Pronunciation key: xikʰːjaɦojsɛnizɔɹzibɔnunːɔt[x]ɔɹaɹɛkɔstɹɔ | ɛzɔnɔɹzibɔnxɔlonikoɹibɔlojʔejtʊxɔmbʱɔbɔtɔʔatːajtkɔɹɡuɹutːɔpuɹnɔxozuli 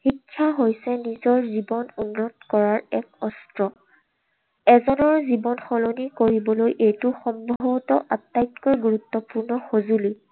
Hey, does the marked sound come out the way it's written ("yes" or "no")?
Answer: no